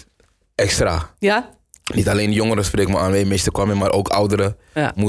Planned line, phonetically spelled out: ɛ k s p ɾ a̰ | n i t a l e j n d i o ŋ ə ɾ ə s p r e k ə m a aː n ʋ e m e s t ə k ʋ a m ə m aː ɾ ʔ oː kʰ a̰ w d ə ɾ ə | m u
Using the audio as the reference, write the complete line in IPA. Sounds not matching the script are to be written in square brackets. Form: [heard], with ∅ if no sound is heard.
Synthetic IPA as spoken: ɛ k s [t] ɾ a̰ | n i t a l e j n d [j] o ŋ ə ɾ ə s p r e k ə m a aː n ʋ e m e s t ə k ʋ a m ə m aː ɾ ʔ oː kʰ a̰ w d ə ɾ ə | m u